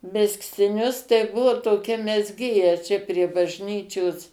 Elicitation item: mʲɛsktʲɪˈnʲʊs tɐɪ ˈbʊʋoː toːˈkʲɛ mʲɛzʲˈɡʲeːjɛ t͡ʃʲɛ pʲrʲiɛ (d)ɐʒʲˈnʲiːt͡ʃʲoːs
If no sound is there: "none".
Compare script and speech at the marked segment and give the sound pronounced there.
b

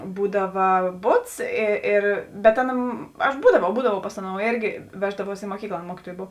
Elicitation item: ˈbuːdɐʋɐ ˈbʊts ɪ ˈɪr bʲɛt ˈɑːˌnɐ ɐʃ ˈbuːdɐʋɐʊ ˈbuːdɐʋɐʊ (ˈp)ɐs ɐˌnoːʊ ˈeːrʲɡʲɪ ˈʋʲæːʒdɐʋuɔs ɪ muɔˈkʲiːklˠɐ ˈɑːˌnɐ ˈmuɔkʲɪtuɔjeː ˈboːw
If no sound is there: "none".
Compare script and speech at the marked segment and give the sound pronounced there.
p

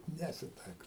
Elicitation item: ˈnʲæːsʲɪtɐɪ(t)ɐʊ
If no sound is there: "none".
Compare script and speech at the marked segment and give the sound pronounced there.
k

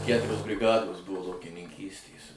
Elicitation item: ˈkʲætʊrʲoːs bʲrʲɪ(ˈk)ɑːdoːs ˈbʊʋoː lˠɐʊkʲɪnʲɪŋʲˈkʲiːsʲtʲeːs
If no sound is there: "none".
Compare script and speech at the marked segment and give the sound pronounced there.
ɡ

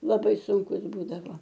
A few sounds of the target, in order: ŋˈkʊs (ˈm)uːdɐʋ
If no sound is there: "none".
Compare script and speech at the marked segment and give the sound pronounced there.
b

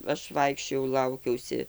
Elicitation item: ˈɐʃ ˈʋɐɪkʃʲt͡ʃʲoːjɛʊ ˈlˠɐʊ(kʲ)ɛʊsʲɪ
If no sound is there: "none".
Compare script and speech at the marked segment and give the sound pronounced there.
kʲ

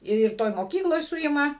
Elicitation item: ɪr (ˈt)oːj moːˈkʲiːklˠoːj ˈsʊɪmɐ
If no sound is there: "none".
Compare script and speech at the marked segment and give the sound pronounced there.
t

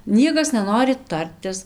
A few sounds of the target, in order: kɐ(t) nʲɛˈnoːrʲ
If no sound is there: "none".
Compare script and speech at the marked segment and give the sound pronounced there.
s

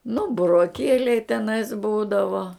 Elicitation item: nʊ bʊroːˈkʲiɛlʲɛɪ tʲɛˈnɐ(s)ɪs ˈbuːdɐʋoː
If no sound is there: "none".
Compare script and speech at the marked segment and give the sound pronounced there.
none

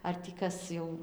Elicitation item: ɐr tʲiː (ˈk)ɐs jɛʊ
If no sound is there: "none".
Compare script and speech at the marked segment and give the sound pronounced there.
k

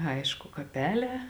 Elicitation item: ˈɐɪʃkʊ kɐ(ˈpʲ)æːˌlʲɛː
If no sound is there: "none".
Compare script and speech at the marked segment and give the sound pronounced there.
pʲ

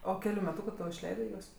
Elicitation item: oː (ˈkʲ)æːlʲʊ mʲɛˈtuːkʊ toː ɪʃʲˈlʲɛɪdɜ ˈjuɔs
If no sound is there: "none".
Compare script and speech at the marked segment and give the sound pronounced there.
kʲ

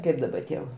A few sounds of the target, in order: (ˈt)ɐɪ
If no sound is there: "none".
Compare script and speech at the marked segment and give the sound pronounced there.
k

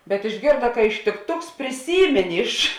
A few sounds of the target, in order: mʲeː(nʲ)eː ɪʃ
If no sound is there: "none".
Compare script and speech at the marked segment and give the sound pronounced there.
nʲ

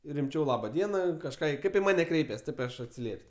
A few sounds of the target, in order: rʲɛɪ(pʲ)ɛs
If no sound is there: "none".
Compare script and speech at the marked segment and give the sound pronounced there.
pʲ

